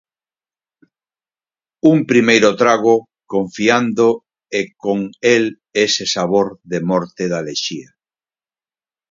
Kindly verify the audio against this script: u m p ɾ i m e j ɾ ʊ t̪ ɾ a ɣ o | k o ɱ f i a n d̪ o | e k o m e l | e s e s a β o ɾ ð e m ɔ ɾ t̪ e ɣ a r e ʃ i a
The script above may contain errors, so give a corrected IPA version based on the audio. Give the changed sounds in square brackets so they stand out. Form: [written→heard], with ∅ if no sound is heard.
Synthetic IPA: u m p ɾ i m e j ɾ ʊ t̪ ɾ a ɣ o | k o ɱ f i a n d̪ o | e k o [m→ŋ] e l | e s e s a β o ɾ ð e m ɔ ɾ t̪ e [ɣ→ð] a [r→l] e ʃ i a